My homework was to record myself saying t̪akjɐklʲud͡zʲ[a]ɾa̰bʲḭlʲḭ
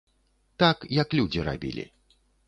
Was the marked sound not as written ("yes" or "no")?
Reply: yes